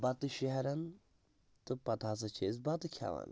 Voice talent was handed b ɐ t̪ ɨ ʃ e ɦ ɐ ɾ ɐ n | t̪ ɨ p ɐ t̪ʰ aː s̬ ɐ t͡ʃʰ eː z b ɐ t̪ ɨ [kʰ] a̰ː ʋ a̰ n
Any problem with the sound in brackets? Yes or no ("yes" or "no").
no